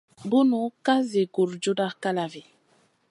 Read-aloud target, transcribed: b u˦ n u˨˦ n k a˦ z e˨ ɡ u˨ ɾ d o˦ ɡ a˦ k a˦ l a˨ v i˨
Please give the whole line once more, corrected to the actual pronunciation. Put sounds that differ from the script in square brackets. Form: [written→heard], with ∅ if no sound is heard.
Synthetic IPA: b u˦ n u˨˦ [n→∅] k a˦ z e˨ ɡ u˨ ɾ [d→d͡ʒ] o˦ [ɡ→d] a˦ k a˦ l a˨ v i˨